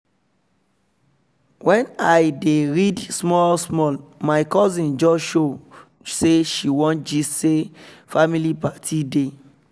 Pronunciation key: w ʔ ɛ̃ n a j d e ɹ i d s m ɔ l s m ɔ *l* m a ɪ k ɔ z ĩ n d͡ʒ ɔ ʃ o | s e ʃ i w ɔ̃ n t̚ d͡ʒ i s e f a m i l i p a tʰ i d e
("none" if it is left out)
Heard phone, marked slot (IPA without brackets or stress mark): l